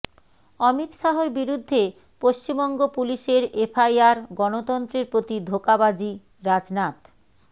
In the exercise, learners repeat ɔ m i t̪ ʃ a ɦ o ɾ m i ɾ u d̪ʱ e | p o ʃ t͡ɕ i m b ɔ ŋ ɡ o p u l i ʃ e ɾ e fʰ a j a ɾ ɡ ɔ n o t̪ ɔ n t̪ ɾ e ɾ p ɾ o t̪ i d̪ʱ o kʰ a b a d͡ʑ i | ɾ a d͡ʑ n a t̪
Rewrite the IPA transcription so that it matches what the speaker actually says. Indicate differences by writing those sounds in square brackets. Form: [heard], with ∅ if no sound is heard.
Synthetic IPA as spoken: ɔ m i t̪ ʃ a ɦ o ɾ [b] i ɾ u [d̪ʱː] e | p o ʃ t͡ɕ i m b ɔ ŋ ɡ o p u l i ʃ e ɾ e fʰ a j a ɾ ɡ ɔ n o t̪ ɔ n t̪ ɾ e ɾ p ɾ o t̪ i d̪ʱ o [k] a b a d͡ʑ i | ɾ a d͡ʑ n a t̪